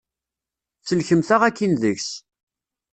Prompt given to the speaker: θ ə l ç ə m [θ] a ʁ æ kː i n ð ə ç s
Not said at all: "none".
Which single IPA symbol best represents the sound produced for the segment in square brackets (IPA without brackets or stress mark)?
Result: θ